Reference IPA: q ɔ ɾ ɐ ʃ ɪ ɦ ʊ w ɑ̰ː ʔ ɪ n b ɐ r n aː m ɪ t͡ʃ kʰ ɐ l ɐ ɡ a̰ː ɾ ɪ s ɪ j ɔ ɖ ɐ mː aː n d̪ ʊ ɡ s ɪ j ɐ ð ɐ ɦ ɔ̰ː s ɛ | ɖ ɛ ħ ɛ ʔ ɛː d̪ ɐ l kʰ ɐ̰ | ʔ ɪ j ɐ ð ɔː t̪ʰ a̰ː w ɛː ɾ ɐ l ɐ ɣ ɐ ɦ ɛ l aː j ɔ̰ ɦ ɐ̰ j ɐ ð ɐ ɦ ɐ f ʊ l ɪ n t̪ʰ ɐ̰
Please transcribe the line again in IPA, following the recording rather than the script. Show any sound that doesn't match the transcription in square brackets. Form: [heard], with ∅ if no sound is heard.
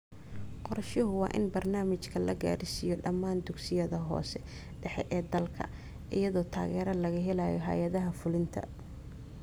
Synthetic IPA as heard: q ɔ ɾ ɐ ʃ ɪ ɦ ʊ w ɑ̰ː ʔ ɪ n b ɐ r n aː m ɪ t͡ʃ kʰ ɐ l ɐ ɡ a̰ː ɾ ɪ s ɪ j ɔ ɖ ɐ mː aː n d̪ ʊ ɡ s ɪ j ɐ ð ɐ ɦ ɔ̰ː s ɛ | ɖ ɛ ħ ɛ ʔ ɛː d̪ ɐ l kʰ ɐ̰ | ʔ ɪ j ɐ ð ɔː t̪ʰ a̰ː [ɣ] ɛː ɾ ɐ l ɐ ɣ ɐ ɦ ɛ l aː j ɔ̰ ɦ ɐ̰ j ɐ ð ɐ ɦ ɐ f ʊ l ɪ n t̪ʰ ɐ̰